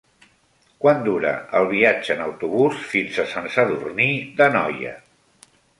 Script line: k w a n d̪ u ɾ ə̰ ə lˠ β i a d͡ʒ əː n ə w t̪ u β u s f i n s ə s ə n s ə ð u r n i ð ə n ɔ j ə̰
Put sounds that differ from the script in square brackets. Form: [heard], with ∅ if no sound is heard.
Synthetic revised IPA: k w a n d̪ u ɾ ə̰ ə lˠ β i a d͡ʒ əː n ə w t̪ u β u s f i n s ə s ə n s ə ð u r n i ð ə n ɔ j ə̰